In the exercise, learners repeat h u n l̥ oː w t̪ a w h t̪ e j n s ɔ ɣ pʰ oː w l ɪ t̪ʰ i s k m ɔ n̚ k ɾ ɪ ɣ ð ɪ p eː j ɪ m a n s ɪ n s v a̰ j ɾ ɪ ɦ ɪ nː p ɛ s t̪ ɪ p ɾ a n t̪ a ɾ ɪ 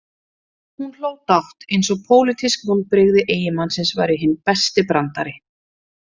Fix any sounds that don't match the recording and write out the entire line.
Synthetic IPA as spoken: h u n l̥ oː w t̪ a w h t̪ e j n s ɔ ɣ pʰ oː w l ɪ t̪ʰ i s k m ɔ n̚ p ɾ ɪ ɣ ð ɪ ʔ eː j ɪ m a n s ɪ n s v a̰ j ɾ ɪ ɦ ɪ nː p ɛ s t̪ ɪ p ɾ a n t̪ a ɾ ɪ